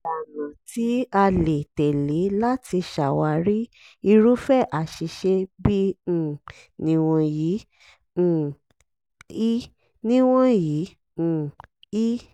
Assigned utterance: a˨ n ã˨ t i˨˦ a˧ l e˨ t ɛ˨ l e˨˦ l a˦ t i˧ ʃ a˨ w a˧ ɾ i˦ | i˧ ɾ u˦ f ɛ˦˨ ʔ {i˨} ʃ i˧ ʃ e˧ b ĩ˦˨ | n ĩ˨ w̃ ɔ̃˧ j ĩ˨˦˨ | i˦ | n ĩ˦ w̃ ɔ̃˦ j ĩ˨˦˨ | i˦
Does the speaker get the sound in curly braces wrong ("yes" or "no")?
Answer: yes